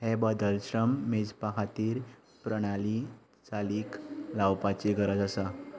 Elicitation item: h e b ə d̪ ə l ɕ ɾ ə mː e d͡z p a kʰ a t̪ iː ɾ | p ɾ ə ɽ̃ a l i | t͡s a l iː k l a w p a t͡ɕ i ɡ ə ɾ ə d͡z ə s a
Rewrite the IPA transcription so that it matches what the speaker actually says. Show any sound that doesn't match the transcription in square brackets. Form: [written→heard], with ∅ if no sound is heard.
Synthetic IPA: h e b ə d̪ ə l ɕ ɾ ə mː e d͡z p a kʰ a t̪ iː ɾ | p ɾ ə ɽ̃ a l i | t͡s a l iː k l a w p a t͡ɕ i ɡ ə ɾ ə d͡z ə s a